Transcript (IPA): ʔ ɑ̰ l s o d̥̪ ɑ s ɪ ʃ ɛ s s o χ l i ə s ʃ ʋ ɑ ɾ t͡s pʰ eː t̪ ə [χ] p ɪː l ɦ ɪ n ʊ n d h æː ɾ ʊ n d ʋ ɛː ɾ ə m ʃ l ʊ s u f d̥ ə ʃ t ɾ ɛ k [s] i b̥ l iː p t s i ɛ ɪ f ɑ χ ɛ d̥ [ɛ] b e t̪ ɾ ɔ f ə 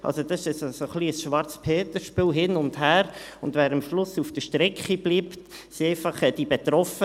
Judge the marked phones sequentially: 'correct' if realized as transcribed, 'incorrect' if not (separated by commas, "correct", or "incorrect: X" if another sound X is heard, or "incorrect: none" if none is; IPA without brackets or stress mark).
incorrect: ʃ, incorrect: χ, incorrect: i